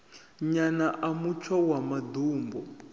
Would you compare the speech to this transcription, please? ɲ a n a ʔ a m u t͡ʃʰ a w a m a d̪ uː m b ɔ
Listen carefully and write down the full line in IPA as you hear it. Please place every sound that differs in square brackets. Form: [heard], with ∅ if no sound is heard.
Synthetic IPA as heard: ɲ a n a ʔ a m u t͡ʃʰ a w a m a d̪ uː m b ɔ

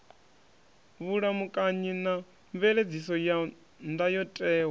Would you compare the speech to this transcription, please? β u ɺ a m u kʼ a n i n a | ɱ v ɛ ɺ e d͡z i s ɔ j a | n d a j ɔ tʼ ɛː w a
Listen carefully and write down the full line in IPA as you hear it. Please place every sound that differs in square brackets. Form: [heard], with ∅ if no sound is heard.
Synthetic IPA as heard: β u ɺ a m u kʼ a [ɲ] i n a | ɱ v ɛ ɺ e d͡z i s ɔ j a | n d a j ɔ tʼ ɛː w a

